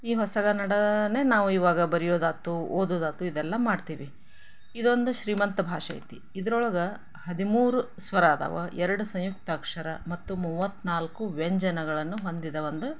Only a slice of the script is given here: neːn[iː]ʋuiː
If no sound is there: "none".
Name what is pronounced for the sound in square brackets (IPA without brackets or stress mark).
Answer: aː